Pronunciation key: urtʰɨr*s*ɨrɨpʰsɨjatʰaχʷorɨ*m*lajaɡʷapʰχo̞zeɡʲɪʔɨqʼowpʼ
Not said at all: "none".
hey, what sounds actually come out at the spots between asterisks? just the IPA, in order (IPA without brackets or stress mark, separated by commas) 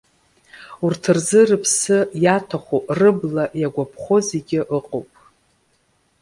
z, b